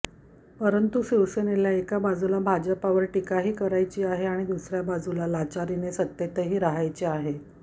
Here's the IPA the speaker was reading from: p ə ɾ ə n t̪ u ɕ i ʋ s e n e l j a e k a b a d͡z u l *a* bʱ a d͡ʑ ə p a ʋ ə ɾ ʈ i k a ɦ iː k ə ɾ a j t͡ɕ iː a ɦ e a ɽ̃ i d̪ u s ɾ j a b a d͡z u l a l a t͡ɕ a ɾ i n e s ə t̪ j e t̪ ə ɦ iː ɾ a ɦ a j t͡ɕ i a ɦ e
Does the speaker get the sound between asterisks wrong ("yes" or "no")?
no